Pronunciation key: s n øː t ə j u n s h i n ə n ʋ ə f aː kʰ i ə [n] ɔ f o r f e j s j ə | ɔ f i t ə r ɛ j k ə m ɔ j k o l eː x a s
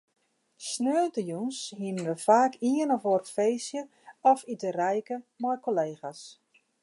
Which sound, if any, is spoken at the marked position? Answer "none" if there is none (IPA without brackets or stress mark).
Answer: n